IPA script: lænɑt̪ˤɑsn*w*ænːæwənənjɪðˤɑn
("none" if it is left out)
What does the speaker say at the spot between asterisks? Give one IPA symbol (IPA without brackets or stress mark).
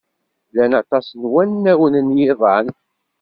w